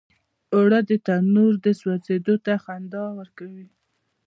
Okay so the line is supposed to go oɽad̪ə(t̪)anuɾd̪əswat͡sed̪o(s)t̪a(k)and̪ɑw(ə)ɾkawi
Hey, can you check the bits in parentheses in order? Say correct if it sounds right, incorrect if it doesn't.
correct, incorrect, incorrect, correct

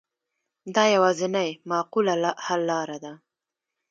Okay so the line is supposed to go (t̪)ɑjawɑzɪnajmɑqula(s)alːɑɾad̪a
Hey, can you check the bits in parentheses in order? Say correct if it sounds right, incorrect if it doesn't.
incorrect, incorrect

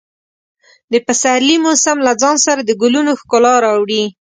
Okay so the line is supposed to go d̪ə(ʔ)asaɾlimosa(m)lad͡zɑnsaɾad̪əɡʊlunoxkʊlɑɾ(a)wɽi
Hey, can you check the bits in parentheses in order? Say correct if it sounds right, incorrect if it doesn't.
incorrect, correct, incorrect

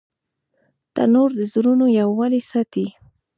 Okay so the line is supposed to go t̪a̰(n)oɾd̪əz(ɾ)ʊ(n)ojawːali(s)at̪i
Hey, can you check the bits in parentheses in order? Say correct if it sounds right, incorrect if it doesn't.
correct, correct, correct, correct

